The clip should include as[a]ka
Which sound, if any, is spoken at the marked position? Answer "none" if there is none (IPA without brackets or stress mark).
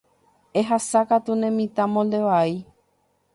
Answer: a